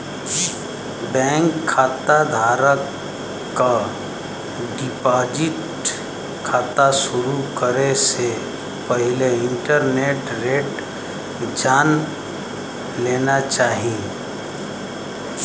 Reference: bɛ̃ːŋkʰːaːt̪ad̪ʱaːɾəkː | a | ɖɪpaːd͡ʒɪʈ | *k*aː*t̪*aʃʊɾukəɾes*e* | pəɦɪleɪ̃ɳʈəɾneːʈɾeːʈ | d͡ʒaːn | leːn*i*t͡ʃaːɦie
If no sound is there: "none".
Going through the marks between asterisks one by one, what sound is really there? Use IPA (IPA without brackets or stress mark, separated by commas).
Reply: kʰ, t̪, e, a